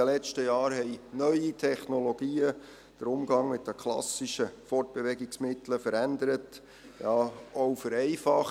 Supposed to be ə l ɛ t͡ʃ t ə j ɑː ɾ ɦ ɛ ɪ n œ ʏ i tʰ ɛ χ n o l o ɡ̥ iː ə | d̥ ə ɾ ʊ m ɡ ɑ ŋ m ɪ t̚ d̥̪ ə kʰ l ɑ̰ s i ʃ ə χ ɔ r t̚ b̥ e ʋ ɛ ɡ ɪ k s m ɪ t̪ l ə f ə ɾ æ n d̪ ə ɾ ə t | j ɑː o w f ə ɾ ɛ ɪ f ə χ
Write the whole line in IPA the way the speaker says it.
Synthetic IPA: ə l ɛ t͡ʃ t ə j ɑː ɾ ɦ ɛ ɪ n œ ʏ i tʰ ɛ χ n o l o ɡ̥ iː ə | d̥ ə ɾ ʊ m ɡ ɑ ŋ m ɪ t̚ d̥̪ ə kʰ l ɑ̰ s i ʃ ə f ɔ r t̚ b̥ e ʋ ɛ ɡ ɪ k s m ɪ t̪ l ə f ə ɾ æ n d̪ ə ɾ ə t | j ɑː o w f ə ɾ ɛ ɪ f ɑ χ